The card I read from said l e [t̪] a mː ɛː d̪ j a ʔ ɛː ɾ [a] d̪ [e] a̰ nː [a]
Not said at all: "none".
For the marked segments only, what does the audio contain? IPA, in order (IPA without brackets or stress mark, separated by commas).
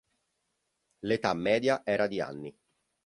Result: t̪, a, i, i